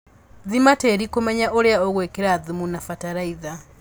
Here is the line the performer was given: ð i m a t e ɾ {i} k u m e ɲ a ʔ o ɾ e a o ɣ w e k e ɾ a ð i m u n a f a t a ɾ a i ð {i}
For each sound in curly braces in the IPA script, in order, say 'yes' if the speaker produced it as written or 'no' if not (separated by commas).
yes, no